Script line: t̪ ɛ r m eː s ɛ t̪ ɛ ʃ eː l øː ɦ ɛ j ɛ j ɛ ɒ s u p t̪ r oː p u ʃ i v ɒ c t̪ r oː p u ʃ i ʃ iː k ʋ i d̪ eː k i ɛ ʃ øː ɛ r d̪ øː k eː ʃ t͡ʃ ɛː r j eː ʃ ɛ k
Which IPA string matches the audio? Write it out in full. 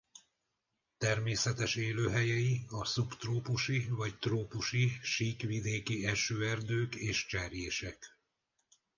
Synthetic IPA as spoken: t̪ ɛ r m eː s ɛ t̪ ɛ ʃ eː l øː ɦ ɛ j ɛ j i ɒ s u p t̪ r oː p u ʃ i v ɒ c t̪ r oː p u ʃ i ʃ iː k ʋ i d̪ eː k i ɛ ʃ øː ɛ r d̪ øː k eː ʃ t͡ʃ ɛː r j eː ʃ ɛ k